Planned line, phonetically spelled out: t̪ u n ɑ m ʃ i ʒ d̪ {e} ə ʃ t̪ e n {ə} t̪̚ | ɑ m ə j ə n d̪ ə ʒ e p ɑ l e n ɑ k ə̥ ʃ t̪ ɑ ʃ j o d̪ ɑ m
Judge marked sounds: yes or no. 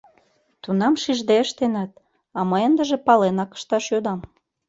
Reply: yes, no

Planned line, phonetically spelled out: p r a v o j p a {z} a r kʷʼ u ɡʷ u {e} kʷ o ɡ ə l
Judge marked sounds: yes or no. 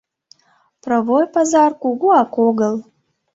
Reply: yes, no

